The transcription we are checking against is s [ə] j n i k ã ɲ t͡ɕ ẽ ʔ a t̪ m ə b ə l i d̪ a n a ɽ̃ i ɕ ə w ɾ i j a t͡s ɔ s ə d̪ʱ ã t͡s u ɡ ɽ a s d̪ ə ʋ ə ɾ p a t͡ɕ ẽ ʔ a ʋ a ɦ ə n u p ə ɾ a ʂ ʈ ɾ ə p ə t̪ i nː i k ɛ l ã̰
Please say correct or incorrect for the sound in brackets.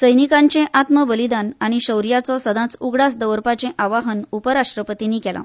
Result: correct